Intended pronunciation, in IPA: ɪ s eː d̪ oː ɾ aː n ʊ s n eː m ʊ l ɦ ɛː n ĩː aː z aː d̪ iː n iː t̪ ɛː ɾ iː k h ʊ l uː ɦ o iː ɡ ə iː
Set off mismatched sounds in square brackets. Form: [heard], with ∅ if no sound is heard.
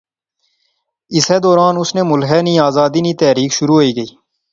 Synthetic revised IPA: ɪ s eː d̪ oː ɾ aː n ʊ s n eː m ʊ l ɦ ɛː n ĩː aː z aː d̪ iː n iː t̪ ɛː ɾ iː k [ʃ] ʊ [ɾ] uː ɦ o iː ɡ ə iː